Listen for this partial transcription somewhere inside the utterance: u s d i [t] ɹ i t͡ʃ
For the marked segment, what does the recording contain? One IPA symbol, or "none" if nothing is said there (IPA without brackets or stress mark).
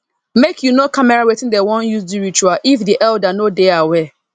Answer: none